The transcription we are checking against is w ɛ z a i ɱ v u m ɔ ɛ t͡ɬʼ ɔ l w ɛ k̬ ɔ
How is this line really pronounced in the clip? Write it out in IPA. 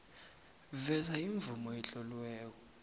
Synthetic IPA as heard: v ɛ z a i ɱ v u m ɔ ɛ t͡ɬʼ ɔ l w ɛː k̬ ɔ